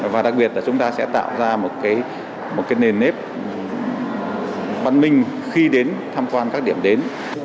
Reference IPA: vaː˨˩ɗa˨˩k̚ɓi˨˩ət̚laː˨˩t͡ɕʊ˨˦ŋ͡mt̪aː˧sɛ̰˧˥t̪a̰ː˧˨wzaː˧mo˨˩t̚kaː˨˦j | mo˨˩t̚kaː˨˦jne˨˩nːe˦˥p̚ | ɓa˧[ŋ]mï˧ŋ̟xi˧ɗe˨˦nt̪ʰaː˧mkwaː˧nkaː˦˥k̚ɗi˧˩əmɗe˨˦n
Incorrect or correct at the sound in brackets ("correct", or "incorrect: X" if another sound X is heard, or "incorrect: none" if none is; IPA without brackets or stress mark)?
incorrect: n